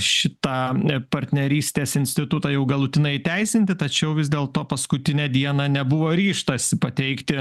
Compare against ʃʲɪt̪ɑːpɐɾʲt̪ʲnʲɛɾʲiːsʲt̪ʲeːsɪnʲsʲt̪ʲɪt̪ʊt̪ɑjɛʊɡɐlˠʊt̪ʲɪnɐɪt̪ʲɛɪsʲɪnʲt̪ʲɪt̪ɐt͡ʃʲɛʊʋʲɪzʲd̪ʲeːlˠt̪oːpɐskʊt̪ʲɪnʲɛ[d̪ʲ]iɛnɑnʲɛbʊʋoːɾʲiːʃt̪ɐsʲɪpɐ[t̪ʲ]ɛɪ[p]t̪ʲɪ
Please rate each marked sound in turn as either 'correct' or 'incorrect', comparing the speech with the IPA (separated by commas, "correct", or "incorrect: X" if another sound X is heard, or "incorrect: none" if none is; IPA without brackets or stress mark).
correct, correct, incorrect: k